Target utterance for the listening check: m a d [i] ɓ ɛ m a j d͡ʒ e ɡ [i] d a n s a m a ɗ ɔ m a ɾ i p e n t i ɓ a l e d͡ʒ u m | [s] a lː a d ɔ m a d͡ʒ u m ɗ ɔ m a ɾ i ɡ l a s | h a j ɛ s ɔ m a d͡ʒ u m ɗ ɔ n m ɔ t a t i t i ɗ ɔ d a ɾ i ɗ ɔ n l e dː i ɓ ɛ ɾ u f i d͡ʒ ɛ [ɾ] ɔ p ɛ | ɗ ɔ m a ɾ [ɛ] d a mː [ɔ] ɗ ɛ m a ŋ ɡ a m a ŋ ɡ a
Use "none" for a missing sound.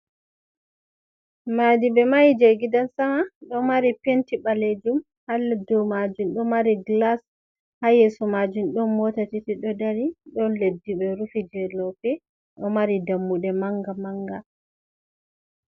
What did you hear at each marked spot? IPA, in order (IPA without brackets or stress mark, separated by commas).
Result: i, i, h, l, i, u